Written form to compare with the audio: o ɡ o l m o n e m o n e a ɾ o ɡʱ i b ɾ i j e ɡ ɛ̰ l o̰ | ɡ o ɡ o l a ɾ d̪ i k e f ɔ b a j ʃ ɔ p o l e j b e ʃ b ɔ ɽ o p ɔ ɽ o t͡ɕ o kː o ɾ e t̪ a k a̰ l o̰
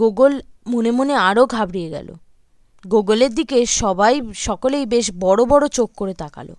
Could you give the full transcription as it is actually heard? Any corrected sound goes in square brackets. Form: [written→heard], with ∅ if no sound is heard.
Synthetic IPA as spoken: o ɡ o l m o n e m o n e a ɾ o ɡʱ [i→a] b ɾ i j e ɡ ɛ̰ l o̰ | ɡ o ɡ o l [a→e] ɾ d̪ i k e [f→ʃ] ɔ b a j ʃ ɔ [p→k] o l e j b e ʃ b ɔ ɽ o [p→b] ɔ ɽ o t͡ɕ o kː o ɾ e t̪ a k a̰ l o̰